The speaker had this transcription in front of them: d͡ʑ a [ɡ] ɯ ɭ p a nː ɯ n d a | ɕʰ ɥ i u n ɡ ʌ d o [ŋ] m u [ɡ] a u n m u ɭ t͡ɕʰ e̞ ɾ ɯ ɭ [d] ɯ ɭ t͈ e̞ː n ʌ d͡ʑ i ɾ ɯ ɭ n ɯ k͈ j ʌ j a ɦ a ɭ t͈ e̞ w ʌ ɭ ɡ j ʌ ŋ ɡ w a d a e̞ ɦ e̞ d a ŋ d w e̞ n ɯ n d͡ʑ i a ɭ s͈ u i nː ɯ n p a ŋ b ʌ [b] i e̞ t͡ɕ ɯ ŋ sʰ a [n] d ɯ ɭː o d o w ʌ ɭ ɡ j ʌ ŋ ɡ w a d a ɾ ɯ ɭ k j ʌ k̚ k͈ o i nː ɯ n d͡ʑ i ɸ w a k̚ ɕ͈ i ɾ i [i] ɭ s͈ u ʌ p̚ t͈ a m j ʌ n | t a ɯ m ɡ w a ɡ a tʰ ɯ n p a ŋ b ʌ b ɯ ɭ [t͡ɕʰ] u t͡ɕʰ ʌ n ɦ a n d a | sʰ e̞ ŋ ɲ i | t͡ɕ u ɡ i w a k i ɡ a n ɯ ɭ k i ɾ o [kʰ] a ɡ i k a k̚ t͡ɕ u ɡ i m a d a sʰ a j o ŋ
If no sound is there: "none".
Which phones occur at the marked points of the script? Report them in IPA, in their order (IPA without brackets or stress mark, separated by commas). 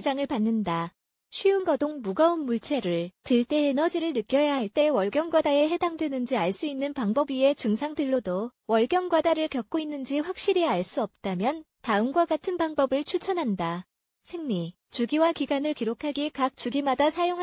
ŋ, ŋ, ɡ, t, b, ŋ, a, t͡ɕʰ, kʰ